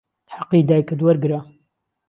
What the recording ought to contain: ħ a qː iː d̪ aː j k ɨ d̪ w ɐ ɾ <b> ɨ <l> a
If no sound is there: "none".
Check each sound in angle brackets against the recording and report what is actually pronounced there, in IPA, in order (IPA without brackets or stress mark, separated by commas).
ɡ, ɾ